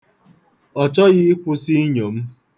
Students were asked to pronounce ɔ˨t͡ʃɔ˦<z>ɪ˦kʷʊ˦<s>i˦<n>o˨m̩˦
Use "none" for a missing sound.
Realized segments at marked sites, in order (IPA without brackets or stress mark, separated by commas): ɣ, s, ɲ